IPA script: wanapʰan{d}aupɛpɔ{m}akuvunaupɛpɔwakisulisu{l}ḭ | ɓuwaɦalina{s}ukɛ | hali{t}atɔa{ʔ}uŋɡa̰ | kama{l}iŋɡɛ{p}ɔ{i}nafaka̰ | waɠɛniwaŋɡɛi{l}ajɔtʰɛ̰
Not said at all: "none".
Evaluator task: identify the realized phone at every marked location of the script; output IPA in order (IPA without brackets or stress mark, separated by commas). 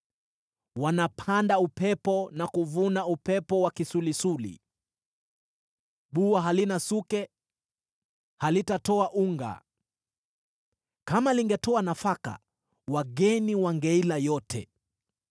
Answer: d, n, l, s, t, ʔ, l, t, a, l